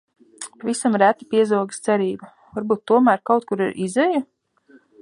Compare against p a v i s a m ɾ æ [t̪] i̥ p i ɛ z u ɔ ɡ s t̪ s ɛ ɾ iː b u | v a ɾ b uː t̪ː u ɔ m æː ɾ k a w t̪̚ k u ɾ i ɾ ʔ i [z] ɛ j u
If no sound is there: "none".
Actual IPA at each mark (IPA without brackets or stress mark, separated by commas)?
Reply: t̪, z